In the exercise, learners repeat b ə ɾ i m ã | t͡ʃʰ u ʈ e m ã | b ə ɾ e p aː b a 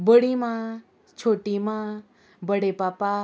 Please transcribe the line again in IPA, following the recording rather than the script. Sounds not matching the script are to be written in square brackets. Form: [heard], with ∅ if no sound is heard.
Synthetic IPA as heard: b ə [ɽ] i m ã | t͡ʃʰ [o] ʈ [i] m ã | b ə [ɽ] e p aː [p] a